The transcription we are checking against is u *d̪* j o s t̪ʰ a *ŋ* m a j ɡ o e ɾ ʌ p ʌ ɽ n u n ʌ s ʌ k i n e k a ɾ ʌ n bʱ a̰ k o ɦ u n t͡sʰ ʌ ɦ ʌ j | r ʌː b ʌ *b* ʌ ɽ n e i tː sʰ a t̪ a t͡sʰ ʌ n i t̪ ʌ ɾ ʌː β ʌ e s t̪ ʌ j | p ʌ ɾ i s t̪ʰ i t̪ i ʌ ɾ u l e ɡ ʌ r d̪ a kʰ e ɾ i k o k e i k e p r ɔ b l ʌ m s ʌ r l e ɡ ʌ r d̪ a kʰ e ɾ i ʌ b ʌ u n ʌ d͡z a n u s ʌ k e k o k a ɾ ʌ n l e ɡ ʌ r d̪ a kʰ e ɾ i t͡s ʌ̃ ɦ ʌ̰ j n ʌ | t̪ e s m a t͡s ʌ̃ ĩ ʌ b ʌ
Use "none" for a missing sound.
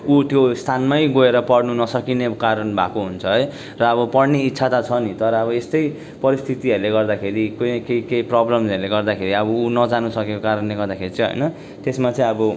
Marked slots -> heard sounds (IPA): t̪, n, p

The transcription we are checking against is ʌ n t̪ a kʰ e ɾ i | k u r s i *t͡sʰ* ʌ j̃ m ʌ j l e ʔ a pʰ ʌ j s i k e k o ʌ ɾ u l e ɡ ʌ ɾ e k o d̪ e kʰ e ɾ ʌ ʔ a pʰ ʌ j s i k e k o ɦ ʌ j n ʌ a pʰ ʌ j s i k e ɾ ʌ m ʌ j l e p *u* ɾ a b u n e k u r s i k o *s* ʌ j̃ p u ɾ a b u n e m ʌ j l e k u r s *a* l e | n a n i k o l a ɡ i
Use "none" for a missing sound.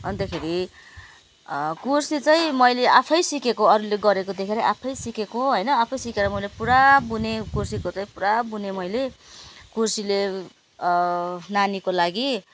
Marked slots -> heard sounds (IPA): t͡s, u, t͡s, i

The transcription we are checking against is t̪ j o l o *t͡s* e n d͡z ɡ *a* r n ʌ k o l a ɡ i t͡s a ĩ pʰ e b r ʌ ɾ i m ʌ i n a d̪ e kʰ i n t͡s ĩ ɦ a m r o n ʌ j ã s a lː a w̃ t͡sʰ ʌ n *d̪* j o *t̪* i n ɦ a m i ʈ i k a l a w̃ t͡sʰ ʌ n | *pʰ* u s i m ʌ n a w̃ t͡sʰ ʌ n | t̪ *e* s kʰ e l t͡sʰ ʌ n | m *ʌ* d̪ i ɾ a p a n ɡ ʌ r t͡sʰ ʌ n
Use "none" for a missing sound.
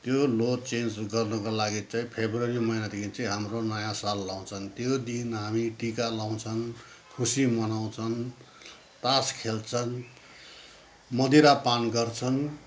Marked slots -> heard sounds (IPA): t͡s, ʌ, t̪, d̪, kʰ, a, ʌ

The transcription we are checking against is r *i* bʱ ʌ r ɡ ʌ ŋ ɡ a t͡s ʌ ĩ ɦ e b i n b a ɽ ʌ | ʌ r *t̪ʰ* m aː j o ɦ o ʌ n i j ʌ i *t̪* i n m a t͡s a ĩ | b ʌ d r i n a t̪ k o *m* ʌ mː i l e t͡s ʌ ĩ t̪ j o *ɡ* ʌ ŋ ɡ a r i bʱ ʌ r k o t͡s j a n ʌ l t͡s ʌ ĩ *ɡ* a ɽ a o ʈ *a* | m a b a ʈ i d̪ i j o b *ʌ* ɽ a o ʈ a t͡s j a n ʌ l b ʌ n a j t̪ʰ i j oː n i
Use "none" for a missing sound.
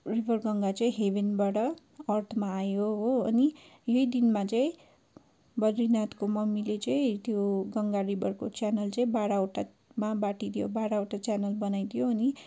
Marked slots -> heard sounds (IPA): i, t̪ʰ, d̪, m, ɡ, b, a, a

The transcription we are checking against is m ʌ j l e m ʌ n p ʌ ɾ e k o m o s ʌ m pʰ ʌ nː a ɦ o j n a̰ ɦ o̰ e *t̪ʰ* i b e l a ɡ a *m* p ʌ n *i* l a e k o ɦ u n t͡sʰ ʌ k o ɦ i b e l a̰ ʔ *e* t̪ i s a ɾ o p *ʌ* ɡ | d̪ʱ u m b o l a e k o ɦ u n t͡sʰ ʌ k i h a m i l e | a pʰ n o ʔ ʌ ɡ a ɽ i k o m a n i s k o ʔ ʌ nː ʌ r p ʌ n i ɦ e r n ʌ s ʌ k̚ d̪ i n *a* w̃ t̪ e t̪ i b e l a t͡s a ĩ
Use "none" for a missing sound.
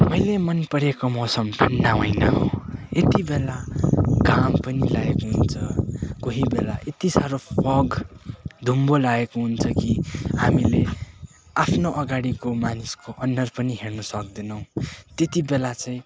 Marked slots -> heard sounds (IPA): t̪, m, i, e, ʌ, ʌ

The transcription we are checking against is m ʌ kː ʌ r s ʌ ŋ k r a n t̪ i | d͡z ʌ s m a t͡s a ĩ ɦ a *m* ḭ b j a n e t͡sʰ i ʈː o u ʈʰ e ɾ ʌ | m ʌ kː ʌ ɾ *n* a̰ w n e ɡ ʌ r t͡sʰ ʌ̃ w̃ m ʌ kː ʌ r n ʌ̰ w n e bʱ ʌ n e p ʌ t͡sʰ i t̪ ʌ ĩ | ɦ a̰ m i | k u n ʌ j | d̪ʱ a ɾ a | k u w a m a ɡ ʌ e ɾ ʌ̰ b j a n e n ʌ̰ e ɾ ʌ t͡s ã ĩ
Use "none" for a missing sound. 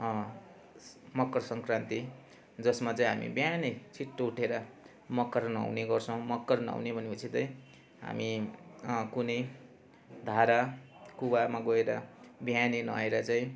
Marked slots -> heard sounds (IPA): m, n

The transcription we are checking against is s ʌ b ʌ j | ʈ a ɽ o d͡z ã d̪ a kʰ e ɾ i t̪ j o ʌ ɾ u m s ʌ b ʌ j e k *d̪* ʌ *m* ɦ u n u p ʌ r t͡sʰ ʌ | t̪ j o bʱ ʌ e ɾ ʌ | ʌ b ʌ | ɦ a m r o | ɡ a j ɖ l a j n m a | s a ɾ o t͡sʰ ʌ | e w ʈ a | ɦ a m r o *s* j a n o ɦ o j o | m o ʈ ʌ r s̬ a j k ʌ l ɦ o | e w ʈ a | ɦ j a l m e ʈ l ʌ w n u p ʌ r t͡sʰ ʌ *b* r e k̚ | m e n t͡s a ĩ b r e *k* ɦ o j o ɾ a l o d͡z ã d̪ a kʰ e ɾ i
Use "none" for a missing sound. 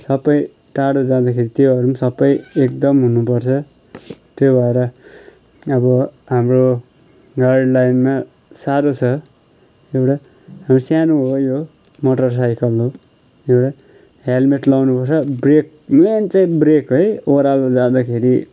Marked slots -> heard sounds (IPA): d̪, m, s, b, k

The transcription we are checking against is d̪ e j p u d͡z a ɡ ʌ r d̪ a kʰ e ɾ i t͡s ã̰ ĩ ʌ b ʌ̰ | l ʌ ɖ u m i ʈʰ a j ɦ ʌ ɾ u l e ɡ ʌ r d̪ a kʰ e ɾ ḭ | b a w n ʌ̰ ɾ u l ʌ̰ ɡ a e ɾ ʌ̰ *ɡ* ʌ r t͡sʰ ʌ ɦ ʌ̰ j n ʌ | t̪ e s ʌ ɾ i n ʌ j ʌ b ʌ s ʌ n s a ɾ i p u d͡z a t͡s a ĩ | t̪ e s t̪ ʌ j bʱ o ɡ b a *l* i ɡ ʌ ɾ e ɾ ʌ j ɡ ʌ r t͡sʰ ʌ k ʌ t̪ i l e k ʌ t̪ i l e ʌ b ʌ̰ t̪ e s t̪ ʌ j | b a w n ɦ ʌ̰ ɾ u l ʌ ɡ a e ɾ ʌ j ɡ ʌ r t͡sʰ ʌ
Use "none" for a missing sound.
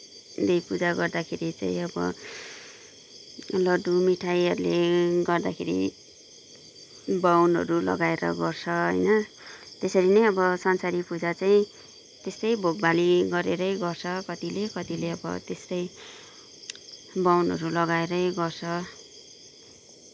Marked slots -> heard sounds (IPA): ɡ, l

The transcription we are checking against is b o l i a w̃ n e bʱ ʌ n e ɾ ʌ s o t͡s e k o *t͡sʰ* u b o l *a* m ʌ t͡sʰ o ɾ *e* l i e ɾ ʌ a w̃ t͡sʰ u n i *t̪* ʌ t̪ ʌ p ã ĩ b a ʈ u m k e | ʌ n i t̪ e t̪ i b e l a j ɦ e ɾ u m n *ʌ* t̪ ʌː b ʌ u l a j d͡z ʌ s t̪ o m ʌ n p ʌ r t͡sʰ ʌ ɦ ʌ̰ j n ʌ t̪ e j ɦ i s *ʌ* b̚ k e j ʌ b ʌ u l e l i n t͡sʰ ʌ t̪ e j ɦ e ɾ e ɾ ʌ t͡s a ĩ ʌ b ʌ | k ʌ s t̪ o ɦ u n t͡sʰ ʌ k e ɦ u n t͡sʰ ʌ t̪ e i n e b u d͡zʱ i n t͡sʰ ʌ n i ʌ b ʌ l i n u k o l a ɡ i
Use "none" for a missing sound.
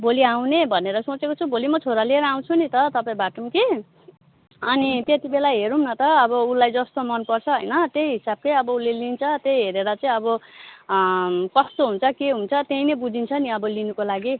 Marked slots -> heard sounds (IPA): t͡sʰ, i, a, t̪, ʌ, a

